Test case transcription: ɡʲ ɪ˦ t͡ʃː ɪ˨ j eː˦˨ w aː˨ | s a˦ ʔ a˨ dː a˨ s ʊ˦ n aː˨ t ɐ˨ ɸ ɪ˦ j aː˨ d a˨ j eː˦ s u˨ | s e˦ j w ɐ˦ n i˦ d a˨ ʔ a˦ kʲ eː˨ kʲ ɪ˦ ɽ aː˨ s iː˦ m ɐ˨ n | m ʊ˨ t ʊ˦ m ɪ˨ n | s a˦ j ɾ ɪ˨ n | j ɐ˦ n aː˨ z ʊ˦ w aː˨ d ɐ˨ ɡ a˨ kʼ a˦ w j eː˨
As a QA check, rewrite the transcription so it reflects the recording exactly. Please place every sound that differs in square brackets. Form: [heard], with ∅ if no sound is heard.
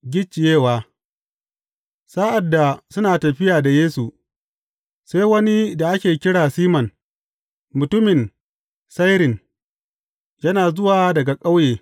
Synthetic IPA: ɡʲ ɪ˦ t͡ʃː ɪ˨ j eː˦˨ w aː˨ | s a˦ ʔ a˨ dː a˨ s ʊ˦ n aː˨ t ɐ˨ ɸ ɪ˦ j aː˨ d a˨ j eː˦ s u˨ | s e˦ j w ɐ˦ n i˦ d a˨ ʔ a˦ kʲ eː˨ kʲ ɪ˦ ɽ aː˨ s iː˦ m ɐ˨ n | m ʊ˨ t ʊ˦ m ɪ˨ n | s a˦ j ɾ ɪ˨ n | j ɐ˦ n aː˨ z ʊ˦ w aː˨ d ɐ˨ ɡ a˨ kʼ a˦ w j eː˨